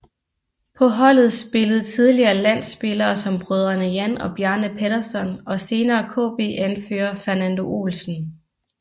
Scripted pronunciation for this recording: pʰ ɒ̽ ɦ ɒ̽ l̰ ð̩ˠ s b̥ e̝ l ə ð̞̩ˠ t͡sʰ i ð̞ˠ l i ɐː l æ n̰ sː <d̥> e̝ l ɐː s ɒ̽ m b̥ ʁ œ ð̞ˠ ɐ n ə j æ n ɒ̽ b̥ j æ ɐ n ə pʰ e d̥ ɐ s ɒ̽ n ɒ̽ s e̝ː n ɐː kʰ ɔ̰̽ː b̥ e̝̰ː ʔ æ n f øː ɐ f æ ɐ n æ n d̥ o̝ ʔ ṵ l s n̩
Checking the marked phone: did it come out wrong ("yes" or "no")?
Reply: yes